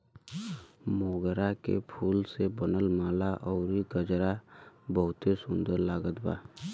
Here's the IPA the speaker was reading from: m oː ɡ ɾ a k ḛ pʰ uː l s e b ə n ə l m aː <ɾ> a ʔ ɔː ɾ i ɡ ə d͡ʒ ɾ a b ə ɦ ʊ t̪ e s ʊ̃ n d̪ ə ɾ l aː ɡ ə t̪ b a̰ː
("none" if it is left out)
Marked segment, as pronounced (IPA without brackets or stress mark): l